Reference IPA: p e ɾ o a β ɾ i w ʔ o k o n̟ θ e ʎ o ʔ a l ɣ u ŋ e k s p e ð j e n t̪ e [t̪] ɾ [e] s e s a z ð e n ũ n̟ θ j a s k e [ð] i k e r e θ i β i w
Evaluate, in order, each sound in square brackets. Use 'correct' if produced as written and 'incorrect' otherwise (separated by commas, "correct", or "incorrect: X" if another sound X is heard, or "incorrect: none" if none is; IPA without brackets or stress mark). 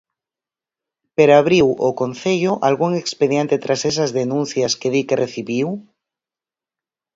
correct, incorrect: a, correct